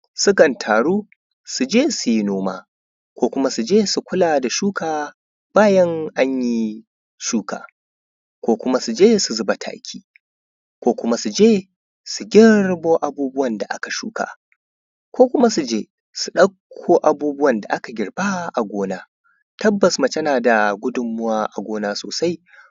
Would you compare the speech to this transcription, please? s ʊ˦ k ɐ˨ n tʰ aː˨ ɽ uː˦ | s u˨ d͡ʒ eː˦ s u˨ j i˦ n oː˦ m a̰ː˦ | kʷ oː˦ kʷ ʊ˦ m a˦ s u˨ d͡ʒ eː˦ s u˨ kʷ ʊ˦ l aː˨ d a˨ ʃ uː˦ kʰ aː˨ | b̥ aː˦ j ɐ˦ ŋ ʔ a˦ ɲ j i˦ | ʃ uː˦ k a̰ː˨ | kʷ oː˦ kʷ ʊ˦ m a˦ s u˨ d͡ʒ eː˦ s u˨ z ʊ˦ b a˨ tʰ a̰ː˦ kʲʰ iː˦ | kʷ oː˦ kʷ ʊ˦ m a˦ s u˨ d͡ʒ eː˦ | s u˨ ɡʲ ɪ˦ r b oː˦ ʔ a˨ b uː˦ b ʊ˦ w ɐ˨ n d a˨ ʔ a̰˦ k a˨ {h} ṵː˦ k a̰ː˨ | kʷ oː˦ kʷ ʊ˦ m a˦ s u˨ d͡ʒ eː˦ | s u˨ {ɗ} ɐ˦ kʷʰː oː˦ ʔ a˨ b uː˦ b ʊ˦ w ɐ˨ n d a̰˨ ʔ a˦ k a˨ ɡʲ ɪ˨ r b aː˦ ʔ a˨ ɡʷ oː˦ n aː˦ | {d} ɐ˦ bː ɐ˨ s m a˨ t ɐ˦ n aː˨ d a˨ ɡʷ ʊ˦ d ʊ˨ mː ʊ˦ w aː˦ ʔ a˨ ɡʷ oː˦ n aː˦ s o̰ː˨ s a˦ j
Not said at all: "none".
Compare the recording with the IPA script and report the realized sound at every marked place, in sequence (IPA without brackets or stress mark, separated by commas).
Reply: ʃ, ɗ, t